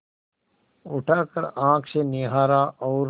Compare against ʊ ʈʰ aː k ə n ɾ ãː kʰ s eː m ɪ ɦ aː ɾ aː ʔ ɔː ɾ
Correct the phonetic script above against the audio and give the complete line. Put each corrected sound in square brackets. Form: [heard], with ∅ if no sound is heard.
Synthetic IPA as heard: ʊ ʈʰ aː k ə [∅] ɾ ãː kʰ s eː [n] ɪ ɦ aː ɾ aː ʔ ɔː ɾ